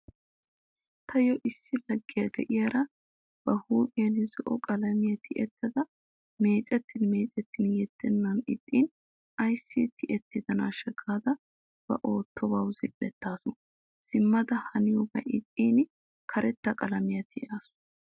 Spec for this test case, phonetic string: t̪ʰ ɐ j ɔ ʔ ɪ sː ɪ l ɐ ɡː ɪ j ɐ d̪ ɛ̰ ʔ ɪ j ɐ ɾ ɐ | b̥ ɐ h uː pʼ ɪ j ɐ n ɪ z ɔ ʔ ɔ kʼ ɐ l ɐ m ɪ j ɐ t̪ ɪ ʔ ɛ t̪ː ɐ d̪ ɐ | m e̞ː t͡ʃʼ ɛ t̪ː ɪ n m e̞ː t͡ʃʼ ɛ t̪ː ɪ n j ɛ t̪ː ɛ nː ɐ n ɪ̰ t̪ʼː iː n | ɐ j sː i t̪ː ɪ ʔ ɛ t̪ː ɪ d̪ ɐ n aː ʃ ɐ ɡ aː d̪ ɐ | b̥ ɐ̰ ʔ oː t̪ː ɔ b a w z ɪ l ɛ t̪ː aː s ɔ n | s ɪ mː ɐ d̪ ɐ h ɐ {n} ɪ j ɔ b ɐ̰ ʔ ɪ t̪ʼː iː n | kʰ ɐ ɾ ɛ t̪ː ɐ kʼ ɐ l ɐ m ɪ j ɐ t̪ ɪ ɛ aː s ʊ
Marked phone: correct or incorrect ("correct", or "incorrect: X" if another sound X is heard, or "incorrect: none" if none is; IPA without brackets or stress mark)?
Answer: correct